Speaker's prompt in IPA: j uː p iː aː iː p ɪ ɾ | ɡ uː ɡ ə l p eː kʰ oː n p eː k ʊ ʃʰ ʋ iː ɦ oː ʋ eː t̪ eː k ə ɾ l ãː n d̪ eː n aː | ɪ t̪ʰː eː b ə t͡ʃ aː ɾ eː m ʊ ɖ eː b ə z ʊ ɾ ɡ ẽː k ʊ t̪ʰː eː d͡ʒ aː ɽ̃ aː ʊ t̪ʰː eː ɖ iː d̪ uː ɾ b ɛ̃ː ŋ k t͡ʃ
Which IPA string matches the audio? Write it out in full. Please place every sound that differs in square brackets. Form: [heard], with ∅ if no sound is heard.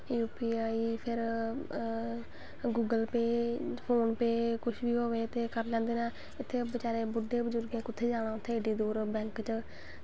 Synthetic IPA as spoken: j uː p iː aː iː [pʰ] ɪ ɾ | ɡ uː ɡ ə l p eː [pʰ] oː n p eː k ʊ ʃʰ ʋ iː ɦ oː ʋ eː t̪ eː k ə ɾ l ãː n d̪ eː n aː | ɪ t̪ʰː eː b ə t͡ʃ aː ɾ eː [b] ʊ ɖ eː b ə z ʊ ɾ ɡ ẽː k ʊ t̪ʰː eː d͡ʒ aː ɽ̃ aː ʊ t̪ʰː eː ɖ iː d̪ uː ɾ b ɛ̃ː ŋ k t͡ʃ